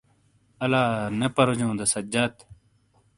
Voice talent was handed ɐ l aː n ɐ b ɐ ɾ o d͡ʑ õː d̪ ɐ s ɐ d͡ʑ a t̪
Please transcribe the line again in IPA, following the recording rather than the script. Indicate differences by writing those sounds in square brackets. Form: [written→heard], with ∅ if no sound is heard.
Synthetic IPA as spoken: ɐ l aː n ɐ [b→p] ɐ ɾ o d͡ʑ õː d̪ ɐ s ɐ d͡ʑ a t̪